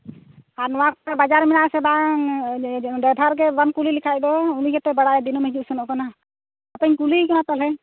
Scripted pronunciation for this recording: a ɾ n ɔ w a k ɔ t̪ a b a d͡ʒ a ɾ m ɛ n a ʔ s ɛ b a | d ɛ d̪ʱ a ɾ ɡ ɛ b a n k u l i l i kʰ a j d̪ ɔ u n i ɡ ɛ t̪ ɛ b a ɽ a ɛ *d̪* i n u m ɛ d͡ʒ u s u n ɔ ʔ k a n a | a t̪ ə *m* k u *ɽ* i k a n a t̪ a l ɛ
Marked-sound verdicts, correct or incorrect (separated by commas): correct, incorrect, incorrect